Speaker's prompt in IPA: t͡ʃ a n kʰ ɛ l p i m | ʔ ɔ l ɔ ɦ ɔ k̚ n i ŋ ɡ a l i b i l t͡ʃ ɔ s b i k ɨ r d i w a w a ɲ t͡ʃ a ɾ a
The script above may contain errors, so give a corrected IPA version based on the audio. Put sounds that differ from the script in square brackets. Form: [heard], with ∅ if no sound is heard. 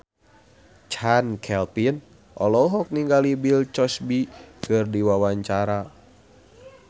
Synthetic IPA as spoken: t͡ʃ a n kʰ ɛ l p i [n] | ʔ ɔ l ɔ ɦ ɔ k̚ n i ŋ ɡ a l i b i l t͡ʃ ɔ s b i k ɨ r d i w a w a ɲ t͡ʃ a ɾ a